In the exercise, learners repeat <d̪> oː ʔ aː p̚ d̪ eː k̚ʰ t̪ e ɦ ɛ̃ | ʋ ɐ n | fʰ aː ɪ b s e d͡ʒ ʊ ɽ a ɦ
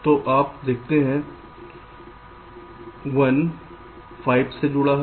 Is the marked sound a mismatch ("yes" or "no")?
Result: yes